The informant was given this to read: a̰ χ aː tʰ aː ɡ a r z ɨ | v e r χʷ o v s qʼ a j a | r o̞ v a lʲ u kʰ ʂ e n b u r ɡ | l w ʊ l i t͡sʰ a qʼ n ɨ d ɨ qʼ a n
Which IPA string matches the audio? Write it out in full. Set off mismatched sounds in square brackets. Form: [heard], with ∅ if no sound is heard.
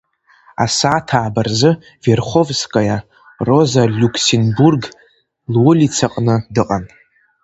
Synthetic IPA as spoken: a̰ [s] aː tʰ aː [b] a r z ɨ | v e r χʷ o v s [kʼ] a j a | r o̞ [z] a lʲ u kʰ [s] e n b u r ɡ | l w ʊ l i t͡sʰ a qʼ n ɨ d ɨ qʼ a n

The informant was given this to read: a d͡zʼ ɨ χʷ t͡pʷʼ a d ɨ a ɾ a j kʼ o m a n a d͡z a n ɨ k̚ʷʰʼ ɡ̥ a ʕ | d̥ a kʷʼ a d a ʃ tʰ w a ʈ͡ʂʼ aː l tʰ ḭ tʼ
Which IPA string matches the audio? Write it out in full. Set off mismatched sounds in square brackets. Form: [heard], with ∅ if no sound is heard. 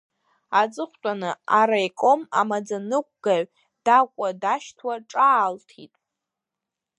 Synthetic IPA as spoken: a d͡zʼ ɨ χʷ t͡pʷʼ a [n] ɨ a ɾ a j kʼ o m a [m] a d͡z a n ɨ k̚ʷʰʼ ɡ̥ a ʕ | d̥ a kʷʼ a d a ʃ tʰ w a ʈ͡ʂʼ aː l tʰ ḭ tʼ

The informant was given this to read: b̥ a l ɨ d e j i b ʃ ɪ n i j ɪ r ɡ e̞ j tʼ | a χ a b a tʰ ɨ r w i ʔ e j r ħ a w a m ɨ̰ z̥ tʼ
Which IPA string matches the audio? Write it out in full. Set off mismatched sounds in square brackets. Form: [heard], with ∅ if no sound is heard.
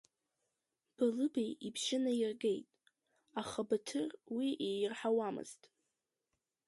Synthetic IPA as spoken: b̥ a l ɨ [b] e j i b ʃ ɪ n [a] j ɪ r ɡ e̞ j tʼ | a χ a b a tʰ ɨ r w i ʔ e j r ħ a w a m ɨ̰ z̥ tʼ

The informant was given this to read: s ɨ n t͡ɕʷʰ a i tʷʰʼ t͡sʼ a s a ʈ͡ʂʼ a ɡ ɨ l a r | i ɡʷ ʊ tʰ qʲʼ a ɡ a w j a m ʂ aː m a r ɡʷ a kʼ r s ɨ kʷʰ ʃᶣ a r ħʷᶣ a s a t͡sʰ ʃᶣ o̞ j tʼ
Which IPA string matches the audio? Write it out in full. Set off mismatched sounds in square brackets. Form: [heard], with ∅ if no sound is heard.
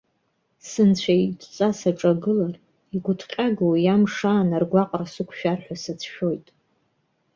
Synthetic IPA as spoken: s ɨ n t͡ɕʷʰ a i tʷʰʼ t͡sʼ a s a ʈ͡ʂʼ a ɡ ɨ l a r | i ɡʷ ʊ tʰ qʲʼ a ɡ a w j a m ʂ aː [n] a r ɡʷ a [qʼ] r s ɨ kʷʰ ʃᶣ a r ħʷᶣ a s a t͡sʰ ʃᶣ o̞ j tʼ

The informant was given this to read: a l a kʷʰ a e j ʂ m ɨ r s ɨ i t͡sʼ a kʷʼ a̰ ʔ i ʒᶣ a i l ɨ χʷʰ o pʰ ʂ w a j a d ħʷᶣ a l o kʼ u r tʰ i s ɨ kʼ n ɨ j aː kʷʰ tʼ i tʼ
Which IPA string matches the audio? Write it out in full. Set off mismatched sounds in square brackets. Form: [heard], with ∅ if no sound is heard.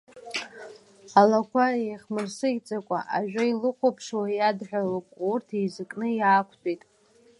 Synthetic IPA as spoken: a l a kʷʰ a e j [χ] m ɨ r s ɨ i t͡sʼ a kʷʼ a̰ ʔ [a] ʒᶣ a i l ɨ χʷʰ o pʰ ʂ w a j a d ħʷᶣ a l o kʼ u r tʰ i [z] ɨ kʼ n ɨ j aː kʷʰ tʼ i tʼ

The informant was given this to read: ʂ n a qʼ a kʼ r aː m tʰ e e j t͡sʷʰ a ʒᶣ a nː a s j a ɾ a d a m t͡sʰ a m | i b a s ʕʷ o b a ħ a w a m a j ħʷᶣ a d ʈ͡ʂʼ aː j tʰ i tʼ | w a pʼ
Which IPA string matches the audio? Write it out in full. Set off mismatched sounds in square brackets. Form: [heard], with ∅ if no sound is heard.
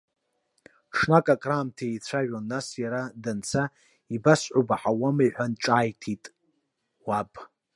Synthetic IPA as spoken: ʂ n a [kʼ] a kʼ r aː m tʰ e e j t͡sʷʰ a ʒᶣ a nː a s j a ɾ a d a [n] t͡sʰ a [∅] | i b a s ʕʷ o b a ħ a w a m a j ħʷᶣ a [n] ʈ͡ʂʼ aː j tʰ i tʼ | w a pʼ

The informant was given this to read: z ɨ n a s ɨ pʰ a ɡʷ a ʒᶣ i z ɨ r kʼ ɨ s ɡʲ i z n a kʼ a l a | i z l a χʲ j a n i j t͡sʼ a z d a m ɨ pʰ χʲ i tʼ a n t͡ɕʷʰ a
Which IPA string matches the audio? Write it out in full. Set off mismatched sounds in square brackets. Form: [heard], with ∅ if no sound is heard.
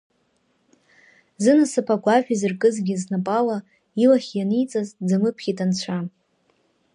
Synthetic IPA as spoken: z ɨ n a s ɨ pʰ a ɡʷ a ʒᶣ i z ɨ r kʼ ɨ [z] ɡʲ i z n a [pʼ] a l a | i [∅] l a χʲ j a n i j t͡sʼ a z [d͡z] a m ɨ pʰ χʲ i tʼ a n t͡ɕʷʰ a

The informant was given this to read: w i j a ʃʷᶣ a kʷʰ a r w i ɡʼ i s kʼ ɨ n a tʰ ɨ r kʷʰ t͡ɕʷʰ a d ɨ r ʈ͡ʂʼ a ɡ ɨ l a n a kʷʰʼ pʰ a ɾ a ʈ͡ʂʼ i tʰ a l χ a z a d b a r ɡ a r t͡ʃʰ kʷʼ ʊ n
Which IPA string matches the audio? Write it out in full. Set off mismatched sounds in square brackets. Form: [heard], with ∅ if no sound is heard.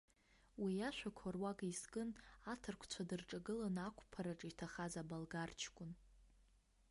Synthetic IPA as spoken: w i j a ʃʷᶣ a kʷʰ a r w [a] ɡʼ i s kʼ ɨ n a tʰ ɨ r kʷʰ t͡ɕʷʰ a d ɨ r ʈ͡ʂʼ a ɡ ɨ l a n a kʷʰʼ pʰ a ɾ a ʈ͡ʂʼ i tʰ a [∅] χ a z a [∅] b a [l] ɡ a r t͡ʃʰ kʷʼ ʊ n

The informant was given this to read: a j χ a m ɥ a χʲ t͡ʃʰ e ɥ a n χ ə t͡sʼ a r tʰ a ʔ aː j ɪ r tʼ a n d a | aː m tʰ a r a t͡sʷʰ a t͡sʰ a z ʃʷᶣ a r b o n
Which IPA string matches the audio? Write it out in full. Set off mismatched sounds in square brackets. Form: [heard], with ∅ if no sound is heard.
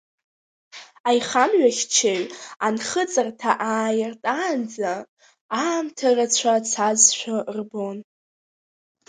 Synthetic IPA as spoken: a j χ a m ɥ a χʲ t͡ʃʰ e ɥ a n χ ə t͡sʼ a r tʰ a ʔ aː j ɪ r tʼ a n [d͡z] a | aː m tʰ a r a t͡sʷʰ a t͡sʰ a z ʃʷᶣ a r b o n

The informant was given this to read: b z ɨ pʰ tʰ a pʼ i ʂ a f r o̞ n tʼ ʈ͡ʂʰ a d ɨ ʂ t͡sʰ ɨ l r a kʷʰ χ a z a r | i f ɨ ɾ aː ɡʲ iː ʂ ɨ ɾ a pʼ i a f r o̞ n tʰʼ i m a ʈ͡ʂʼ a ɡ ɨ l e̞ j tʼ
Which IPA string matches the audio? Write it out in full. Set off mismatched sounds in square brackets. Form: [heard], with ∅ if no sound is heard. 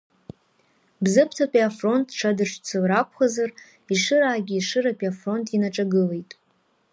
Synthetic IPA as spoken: b z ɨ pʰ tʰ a pʼ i [∅] a f r o̞ n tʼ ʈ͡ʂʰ a d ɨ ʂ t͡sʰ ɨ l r a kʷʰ χ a z a r | i [ʂ] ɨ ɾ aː ɡʲ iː ʂ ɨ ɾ a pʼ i a f r o̞ n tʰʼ i [n] a ʈ͡ʂʼ a ɡ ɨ l e̞ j tʼ

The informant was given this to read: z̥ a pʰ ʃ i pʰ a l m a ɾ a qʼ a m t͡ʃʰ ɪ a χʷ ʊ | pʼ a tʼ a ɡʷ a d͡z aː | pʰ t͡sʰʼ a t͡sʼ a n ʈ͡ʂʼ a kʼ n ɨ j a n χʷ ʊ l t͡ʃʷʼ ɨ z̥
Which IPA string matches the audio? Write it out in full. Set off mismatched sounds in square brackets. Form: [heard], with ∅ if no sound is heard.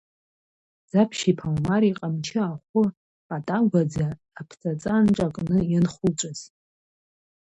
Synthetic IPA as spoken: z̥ a pʰ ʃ i pʰ a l m a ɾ [i] qʼ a m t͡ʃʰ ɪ a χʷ ʊ | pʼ a tʼ a ɡʷ a d͡z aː | pʰ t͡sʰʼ a t͡sʼ a n ʈ͡ʂʼ a kʼ n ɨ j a n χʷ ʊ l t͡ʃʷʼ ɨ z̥

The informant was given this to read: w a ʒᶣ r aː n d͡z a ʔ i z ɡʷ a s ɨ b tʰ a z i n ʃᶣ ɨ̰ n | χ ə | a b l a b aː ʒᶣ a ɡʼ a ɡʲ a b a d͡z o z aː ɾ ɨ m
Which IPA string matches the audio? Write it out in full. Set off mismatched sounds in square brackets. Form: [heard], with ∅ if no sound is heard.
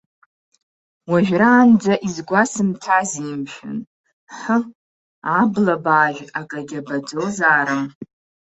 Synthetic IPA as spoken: w a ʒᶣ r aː n d͡z a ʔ i z ɡʷ a s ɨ [m] tʰ a z i [m] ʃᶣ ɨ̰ n | [ħ] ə | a b l a b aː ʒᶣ a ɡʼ a ɡʲ a b a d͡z o z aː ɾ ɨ m

